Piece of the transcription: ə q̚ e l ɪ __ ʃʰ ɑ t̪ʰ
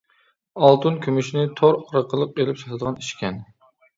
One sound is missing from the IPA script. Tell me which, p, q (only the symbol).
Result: p